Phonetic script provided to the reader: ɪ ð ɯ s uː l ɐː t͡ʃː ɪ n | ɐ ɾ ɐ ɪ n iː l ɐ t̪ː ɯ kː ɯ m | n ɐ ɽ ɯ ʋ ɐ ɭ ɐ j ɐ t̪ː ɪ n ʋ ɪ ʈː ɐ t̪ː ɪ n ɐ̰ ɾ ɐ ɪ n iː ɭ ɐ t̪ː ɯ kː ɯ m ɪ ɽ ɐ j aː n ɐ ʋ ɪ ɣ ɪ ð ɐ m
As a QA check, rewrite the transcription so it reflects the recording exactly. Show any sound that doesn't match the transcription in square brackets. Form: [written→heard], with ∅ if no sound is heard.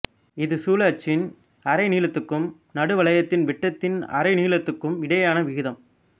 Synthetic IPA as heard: ɪ ð ɯ s uː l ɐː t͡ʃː ɪ n | ɐ ɾ ɐ ɪ n iː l ɐ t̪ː ɯ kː ɯ m | n ɐ ɽ ɯ ʋ ɐ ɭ ɐ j ɐ t̪ː ɪ n ʋ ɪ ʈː ɐ t̪ː ɪ n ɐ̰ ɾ ɐ ɪ n iː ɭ ɐ t̪ː ɯ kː ɯ m ɪ ɽ ɐ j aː n ɐ ʋ ɪ ɣ ɪ ð ɐ m